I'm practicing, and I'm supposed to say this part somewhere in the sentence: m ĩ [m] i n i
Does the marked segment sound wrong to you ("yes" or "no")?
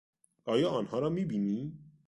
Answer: yes